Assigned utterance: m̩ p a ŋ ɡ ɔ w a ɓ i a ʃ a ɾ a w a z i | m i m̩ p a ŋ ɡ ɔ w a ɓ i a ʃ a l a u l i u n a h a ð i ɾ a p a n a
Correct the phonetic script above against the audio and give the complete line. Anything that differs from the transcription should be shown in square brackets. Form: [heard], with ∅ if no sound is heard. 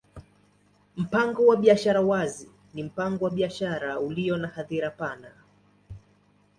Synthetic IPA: m̩ p a ŋ ɡ ɔ w a ɓ i a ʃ a ɾ a w a z i | [n] i m̩ p a ŋ ɡ ɔ w a ɓ i a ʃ a [ɾ] a u l i [ɔ] n a h a ð i ɾ a p a n a